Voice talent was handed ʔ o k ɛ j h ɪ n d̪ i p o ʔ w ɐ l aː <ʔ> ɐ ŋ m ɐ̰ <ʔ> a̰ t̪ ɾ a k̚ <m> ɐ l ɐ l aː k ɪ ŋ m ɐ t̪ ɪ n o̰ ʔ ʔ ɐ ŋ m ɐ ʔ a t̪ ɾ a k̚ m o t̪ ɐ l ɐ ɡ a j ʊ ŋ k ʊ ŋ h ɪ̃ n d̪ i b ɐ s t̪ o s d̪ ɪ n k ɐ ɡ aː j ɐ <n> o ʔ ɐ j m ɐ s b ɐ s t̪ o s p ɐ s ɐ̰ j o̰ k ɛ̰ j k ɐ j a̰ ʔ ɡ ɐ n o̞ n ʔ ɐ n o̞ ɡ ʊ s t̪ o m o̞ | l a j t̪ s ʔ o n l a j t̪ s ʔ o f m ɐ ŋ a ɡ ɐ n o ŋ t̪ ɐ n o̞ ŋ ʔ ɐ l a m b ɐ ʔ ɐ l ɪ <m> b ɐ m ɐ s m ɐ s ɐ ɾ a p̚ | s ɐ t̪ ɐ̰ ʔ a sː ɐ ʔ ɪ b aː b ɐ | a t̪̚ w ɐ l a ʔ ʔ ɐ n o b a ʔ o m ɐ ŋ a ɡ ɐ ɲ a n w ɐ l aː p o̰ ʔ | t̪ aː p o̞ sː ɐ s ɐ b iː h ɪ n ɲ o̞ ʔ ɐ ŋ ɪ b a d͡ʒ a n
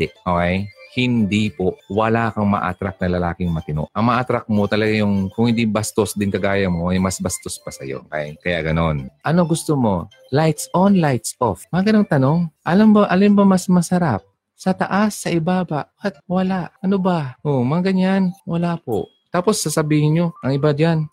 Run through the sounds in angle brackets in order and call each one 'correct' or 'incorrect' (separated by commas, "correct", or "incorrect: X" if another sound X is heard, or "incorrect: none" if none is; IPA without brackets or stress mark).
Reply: incorrect: k, correct, incorrect: n, incorrect: m, correct